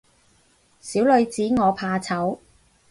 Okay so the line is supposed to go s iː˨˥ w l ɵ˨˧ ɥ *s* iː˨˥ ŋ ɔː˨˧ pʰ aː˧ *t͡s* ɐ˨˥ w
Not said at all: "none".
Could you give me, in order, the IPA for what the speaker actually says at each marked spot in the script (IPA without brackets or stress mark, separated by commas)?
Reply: t͡s, t͡sʰ